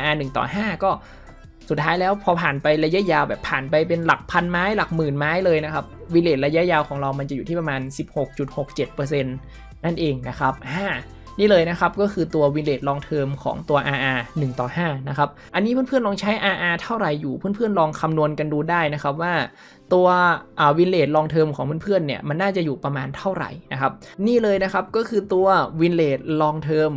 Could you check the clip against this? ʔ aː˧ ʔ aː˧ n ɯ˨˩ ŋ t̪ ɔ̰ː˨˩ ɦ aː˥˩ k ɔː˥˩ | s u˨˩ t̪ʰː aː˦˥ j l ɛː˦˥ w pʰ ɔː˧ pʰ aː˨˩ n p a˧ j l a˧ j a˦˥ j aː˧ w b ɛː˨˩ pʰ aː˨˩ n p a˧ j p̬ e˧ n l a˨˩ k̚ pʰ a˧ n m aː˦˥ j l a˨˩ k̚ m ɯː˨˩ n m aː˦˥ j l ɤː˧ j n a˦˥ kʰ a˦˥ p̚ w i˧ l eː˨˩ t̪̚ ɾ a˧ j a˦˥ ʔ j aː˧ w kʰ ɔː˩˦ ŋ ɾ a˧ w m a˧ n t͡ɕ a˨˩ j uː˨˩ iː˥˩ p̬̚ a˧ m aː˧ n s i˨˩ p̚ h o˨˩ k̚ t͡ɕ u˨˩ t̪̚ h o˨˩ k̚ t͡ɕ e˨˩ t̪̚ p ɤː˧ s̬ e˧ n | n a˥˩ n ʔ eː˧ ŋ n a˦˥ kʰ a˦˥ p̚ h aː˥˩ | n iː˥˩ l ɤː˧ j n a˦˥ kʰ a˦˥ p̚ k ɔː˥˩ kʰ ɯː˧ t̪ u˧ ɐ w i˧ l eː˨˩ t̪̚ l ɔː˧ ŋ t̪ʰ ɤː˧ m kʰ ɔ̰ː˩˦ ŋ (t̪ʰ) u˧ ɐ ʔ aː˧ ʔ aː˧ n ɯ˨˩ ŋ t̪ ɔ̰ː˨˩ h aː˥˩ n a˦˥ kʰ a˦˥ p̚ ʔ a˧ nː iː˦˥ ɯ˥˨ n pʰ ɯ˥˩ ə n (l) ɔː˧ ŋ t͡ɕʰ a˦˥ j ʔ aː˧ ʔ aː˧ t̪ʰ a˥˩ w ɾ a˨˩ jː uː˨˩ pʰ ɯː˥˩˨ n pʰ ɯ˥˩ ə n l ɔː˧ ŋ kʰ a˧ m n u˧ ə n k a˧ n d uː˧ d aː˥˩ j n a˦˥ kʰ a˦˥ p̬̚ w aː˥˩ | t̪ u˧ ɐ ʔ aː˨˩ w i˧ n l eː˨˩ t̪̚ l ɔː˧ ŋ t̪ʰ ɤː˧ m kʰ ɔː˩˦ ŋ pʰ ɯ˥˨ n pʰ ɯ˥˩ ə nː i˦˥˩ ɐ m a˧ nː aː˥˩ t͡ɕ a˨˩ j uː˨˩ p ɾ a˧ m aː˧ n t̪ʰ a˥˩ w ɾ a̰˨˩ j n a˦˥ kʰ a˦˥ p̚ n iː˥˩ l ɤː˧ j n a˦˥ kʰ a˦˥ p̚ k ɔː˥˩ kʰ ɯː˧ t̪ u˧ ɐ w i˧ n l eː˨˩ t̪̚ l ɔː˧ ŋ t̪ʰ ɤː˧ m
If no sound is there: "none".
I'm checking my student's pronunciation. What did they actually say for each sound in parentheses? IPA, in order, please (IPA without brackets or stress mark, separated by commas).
t̪, l